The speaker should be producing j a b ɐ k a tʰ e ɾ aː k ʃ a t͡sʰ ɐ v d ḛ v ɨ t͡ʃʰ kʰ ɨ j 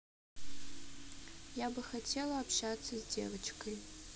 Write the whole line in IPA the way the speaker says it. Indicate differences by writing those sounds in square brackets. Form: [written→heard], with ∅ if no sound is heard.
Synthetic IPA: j a b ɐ [k→x] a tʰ e [ɾ→l] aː [k→p] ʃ a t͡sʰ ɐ [v→z] d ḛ v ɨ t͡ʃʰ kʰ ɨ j